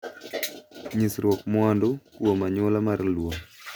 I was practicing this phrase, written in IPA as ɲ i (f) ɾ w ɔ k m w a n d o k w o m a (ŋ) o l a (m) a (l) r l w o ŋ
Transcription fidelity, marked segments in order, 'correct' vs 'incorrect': incorrect: s, incorrect: ɲ, correct, incorrect: none

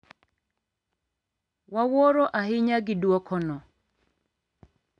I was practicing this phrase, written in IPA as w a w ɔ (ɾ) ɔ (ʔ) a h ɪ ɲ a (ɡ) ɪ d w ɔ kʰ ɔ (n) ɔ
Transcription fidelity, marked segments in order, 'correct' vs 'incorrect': correct, correct, correct, correct

